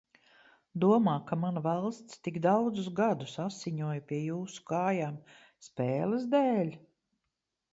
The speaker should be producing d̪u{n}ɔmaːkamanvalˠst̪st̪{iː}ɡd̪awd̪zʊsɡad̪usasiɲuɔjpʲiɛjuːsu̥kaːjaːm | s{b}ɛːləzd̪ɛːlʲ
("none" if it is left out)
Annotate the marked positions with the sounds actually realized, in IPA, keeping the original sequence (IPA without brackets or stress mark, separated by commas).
none, i, p